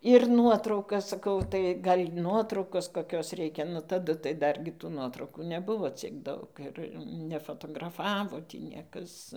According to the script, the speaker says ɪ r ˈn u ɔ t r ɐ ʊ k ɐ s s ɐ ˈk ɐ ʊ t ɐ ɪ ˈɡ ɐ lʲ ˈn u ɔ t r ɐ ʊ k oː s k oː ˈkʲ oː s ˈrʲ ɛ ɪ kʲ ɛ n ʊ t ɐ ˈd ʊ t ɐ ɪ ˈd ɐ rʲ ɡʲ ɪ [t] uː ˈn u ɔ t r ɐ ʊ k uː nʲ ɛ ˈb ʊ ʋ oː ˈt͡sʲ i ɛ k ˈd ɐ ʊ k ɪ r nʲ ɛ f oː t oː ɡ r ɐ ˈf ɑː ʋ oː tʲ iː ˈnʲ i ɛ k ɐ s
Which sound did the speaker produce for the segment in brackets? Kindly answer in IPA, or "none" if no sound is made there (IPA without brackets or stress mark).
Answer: t